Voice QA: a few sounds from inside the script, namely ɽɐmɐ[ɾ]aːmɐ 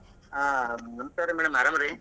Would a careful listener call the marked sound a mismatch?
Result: no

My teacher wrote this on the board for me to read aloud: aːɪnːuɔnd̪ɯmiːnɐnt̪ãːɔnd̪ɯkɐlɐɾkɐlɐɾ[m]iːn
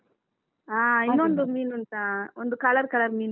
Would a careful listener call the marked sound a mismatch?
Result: no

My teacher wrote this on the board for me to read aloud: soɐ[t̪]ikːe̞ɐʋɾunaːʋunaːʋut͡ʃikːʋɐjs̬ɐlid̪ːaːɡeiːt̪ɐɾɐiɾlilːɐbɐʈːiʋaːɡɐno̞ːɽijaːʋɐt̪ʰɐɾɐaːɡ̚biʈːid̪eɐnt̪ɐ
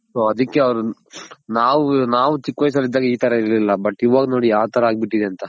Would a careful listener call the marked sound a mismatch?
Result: yes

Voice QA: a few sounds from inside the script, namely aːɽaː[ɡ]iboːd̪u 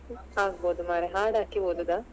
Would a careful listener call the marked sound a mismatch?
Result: yes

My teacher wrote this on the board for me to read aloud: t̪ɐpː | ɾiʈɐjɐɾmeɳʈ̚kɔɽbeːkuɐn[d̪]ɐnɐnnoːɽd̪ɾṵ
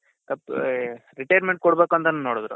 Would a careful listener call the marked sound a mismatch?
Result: yes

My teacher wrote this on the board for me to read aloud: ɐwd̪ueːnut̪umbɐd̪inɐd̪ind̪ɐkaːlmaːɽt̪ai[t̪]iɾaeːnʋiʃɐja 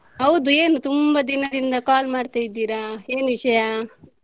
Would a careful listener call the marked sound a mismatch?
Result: yes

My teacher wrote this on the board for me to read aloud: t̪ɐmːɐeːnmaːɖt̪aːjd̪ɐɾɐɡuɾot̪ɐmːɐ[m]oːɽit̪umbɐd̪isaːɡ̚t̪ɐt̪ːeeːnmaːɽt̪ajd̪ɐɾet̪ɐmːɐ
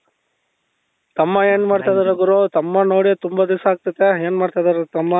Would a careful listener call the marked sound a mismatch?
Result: yes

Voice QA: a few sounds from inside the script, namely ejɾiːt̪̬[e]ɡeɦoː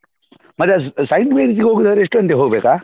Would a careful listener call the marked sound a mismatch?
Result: yes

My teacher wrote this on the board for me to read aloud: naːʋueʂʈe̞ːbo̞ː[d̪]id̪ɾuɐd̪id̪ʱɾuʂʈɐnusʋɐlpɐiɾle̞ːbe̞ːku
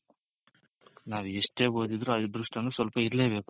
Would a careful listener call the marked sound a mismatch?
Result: no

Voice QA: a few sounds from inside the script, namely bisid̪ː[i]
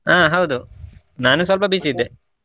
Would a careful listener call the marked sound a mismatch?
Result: yes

